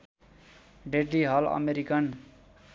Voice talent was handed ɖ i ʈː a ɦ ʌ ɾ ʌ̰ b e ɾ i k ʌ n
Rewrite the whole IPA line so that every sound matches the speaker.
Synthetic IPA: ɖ e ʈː i ɦ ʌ l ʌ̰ m e ɾ i k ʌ n